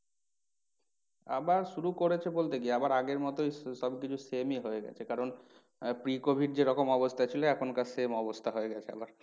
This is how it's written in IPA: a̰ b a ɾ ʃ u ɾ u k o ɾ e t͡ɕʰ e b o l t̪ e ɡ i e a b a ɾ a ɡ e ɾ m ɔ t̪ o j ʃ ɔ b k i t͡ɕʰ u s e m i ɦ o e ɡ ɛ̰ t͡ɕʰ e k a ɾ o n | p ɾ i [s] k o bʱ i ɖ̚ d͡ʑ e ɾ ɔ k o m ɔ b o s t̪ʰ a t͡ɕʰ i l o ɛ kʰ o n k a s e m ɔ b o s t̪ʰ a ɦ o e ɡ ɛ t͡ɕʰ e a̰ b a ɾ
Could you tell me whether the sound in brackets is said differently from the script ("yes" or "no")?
yes